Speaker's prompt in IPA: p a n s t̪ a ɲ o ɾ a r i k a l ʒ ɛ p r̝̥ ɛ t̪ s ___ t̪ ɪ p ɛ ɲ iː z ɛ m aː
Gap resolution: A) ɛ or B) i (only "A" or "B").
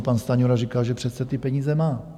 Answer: A